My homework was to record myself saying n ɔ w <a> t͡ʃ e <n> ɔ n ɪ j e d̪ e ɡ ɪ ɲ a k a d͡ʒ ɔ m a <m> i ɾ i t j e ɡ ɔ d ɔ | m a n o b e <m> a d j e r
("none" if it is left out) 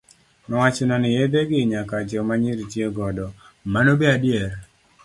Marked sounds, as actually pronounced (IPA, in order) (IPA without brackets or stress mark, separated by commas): a, n, ɲ, none